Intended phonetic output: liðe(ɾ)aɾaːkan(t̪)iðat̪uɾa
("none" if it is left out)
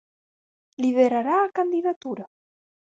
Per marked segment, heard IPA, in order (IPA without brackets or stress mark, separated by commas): ɾ, d̪